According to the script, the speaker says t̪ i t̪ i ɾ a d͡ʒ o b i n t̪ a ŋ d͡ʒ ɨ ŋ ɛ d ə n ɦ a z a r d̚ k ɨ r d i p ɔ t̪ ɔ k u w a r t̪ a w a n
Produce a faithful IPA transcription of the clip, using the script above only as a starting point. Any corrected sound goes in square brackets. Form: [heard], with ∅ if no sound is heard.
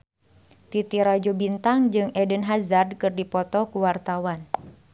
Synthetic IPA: t̪ i t̪ i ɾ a d͡ʒ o b i n t̪ a ŋ d͡ʒ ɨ ŋ ɛ d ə n ɦ a z a r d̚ k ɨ r d i p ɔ t̪ ɔ k u w a r t̪ a w a n

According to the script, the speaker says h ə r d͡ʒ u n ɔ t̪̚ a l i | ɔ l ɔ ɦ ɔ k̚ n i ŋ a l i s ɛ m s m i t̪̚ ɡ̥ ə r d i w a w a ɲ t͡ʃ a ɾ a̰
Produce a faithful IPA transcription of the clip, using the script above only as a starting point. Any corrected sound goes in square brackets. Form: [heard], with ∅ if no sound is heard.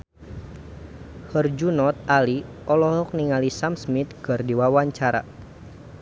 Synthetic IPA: h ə r d͡ʒ u n ɔ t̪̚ a l i | ɔ l ɔ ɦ ɔ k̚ n i ŋ a l i s [a] m s m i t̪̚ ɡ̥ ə r d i w a w a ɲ t͡ʃ a ɾ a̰

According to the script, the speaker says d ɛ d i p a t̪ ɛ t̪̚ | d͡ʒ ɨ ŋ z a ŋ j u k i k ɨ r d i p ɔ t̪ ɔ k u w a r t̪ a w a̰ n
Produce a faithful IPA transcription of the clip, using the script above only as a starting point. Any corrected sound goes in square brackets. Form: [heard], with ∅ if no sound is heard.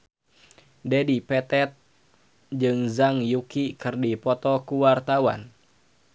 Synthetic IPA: d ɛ d i p [ɛ] t̪ ɛ t̪̚ | d͡ʒ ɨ ŋ z a ŋ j u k i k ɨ r d i p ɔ t̪ ɔ k u w a r t̪ a w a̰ n

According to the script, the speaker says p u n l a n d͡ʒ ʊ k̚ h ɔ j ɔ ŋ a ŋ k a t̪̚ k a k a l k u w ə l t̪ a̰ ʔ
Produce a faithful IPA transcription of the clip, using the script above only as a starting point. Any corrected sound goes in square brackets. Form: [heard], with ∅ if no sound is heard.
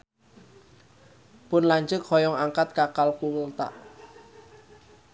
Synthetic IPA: p [ʊ] n l a [ɲ] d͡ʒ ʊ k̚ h ɔ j ɔ ŋ a ŋ k a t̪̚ k a k a l k u w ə l t̪ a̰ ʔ

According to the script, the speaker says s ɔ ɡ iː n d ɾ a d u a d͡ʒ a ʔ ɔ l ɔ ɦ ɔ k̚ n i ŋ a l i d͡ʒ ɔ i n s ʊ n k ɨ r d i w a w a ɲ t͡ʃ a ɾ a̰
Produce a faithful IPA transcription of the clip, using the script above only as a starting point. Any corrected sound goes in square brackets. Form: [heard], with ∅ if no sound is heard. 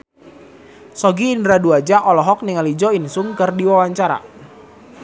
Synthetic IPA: s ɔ ɡ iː n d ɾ a d u a d͡ʒ a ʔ ɔ l ɔ ɦ ɔ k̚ n i ŋ a l i d͡ʒ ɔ i n s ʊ [ŋ] k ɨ r d i w a w a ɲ t͡ʃ a ɾ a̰

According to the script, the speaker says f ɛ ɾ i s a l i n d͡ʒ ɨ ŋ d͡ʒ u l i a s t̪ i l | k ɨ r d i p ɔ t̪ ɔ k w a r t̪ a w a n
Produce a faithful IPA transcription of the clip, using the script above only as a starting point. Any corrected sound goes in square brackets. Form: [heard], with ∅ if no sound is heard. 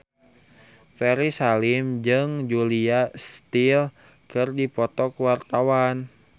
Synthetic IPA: f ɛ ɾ i s a l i [m] d͡ʒ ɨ ŋ d͡ʒ u l i a s t̪ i l | k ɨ r d i p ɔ t̪ ɔ k w a r t̪ a w a n

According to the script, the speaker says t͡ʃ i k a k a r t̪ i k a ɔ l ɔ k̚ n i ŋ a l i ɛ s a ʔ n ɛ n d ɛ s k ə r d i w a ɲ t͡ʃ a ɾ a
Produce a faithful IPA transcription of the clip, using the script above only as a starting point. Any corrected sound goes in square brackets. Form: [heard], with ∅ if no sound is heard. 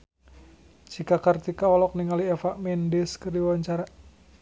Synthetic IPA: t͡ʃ i k a k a r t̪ i k a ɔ l ɔ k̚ n i ŋ a l i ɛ [f] a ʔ [m] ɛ n d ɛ s k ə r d i w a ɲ t͡ʃ a ɾ a

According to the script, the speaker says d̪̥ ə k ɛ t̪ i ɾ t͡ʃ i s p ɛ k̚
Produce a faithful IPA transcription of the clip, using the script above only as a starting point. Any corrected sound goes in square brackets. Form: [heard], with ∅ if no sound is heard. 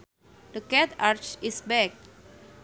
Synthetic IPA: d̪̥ ə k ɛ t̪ [a] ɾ t͡ʃ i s [b] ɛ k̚

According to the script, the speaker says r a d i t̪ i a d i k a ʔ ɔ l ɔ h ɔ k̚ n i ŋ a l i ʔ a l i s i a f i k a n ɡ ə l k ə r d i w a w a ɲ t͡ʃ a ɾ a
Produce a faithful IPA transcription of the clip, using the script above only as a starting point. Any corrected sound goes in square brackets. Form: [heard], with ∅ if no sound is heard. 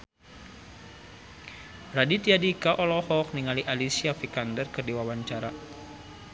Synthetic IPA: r a d i t̪ i a d i k a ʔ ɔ l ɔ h ɔ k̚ n i ŋ a l i ʔ a l i s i a f i k a n [d] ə [r] k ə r d i w a w a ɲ t͡ʃ a ɾ a

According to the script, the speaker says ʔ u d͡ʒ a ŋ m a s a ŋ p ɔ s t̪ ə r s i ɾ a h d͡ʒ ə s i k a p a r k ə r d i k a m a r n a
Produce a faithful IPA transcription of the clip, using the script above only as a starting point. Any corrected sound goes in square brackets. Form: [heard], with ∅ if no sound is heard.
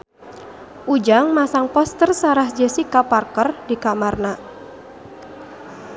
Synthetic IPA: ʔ u d͡ʒ a ŋ m a s a ŋ p ɔ s t̪ ə r s [a] ɾ a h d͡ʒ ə s i k a p a r k ə r d i k a m a r n a

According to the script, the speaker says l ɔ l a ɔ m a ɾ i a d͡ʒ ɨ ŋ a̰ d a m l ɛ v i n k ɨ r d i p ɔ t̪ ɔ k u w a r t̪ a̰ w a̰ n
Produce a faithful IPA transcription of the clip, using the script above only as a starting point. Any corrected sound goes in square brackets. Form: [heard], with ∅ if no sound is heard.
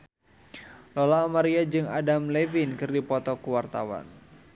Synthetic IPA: l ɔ l a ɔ m a ɾ i a d͡ʒ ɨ ŋ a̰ d a m l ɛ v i n k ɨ r d i p ɔ t̪ ɔ k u w a r t̪ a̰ w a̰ n

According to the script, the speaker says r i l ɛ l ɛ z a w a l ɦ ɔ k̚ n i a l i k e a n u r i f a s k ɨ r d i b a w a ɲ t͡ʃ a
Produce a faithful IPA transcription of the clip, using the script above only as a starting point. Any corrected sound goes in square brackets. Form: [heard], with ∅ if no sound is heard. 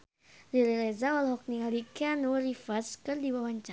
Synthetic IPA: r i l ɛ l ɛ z a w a l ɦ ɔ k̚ n i a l i k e a n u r i f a s k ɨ r d i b a w a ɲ t͡ʃ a

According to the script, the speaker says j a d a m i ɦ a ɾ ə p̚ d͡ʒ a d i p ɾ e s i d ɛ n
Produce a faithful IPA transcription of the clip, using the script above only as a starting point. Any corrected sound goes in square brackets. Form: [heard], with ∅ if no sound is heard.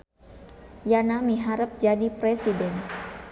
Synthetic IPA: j a [n] a m i ɦ a ɾ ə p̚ d͡ʒ a d i p ɾ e s i d ɛ n

